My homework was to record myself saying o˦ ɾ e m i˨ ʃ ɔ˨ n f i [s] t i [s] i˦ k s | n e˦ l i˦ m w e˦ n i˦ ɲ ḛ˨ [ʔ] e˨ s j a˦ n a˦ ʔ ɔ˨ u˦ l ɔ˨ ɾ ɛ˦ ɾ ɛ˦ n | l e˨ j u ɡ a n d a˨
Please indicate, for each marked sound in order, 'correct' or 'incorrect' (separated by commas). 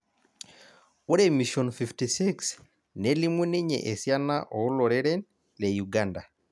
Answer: incorrect, correct, correct